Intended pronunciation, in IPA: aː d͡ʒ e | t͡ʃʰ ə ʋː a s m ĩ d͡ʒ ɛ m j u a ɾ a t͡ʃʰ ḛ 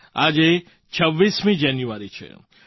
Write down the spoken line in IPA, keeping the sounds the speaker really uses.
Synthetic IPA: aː d͡ʒ e | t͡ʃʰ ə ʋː i s m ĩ d͡ʒ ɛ n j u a ɾ i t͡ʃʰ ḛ